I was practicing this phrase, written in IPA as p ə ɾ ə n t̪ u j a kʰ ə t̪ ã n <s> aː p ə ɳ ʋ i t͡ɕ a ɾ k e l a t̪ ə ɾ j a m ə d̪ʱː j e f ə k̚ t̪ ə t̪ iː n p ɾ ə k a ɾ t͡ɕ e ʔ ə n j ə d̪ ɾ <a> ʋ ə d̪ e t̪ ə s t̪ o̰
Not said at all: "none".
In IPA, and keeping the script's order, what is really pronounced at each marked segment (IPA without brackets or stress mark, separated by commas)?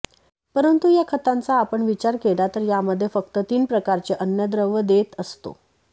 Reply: t͡s, ə